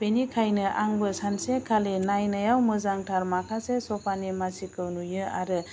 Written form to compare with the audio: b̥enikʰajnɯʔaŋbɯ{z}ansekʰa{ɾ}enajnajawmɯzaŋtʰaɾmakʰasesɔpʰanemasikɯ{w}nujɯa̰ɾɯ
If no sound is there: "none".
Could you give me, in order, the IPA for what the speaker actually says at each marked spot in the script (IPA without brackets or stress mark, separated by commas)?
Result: s, l, w